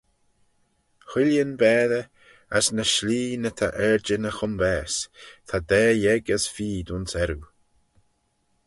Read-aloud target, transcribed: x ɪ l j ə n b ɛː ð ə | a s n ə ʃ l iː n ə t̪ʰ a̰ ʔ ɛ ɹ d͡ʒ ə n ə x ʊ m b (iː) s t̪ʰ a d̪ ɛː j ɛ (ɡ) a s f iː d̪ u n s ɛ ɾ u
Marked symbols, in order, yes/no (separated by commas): no, yes